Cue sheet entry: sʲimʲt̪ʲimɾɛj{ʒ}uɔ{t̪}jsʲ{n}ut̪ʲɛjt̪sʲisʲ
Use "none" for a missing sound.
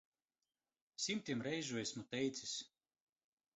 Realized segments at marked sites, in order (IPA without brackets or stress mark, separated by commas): ʒ, none, m